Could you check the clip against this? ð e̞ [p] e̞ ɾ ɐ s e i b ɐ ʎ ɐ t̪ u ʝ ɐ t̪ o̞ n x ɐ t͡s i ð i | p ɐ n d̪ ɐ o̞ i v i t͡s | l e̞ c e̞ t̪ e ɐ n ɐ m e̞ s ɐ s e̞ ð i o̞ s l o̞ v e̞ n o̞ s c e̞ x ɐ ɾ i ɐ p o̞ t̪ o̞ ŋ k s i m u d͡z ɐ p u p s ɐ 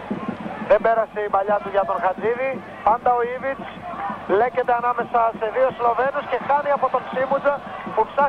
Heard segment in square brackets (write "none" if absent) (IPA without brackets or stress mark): b